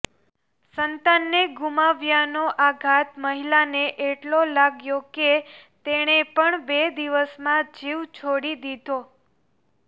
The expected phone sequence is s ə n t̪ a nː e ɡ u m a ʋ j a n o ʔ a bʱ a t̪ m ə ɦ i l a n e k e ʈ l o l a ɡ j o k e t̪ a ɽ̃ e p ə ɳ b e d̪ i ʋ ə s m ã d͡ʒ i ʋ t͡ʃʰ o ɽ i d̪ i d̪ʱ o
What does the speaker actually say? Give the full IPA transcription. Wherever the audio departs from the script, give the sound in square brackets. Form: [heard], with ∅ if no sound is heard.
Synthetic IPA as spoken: s ə n t̪ a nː e ɡ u m a ʋ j a n o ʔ a [ɡʱ] a t̪ m ə ɦ i l a n e [ʔ] e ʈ l o l a ɡ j o k e t̪ [e] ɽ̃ e p ə ɳ b e d̪ i ʋ ə s m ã d͡ʒ i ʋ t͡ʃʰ o ɽ i d̪ i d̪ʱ o